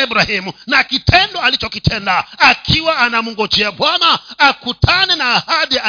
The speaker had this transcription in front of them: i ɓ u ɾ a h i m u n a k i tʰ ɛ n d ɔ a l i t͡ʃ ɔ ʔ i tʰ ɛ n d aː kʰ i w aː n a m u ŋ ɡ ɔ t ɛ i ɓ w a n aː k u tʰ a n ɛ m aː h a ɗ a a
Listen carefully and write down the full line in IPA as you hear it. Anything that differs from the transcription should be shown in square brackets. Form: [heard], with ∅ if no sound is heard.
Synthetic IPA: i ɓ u ɾ a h i m u n a k i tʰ ɛ n d ɔ a l i t͡ʃ ɔ [k] i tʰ ɛ n d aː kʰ i w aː n a m u ŋ ɡ ɔ [t͡ʃ] ɛ [a] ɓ w a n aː k u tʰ a n ɛ [n] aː h a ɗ [i] a